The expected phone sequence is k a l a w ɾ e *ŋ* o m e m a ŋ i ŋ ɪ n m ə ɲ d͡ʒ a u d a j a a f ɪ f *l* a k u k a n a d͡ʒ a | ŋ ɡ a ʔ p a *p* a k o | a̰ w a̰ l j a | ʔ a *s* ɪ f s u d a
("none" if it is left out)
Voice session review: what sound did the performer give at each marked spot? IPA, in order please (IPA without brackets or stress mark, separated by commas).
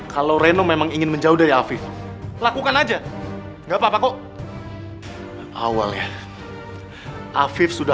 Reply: n, l, p, f